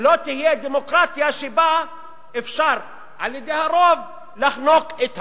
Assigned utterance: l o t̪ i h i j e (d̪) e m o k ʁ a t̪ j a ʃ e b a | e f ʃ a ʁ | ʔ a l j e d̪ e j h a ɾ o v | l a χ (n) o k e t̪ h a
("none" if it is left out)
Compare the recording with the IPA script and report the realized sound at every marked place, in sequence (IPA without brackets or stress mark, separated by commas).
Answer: d̪, n